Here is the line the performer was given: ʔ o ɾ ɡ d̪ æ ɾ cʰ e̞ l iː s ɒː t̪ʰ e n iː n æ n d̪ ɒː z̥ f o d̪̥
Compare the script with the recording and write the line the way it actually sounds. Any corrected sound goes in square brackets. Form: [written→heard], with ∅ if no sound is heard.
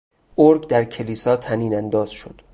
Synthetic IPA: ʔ o ɾ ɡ d̪ æ ɾ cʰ e̞ l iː s ɒː t̪ʰ [e→æ] n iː n æ n d̪ ɒː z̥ [f→ʃ] o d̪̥